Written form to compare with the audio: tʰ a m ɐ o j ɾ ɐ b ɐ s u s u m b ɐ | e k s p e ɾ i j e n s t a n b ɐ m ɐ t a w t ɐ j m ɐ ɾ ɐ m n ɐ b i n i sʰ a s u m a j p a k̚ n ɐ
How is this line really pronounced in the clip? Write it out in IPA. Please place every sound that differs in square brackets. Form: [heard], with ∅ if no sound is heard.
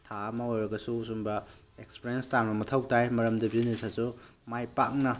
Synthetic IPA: tʰ a m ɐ o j ɾ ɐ [ɡ] ɐ s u s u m b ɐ | e k s p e ɾ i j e n s t a n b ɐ m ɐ [tʰ] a w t [a] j m ɐ ɾ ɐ m [d] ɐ b i n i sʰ a s u m a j p a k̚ n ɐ